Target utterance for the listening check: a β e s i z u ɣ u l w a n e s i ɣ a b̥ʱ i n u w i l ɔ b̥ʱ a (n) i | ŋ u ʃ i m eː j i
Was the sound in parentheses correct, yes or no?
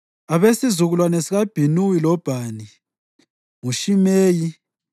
yes